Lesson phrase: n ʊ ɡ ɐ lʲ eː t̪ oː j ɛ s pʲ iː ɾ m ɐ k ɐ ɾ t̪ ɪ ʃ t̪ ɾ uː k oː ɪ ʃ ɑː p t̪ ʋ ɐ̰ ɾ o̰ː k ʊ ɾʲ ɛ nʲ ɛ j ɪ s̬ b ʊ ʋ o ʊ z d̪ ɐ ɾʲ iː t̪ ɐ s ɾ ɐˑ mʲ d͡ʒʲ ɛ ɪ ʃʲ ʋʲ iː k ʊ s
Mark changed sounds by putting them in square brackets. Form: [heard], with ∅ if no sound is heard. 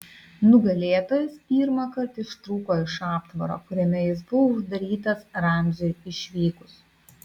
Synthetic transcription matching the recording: n ʊ ɡ ɐ lʲ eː t̪ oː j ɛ s pʲ iː ɾ m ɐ k ɐ ɾ t̪ ɪ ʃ t̪ ɾ uː k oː ɪ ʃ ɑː p t̪ ʋ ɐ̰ ɾ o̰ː k ʊ ɾʲ ɛ [mʲ] ɛ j ɪ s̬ b ʊ ʋ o ʊ [ʒ] d̪ ɐ ɾʲ iː t̪ ɐ s ɾ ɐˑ mʲ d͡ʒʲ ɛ ɪ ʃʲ ʋʲ iː k ʊ s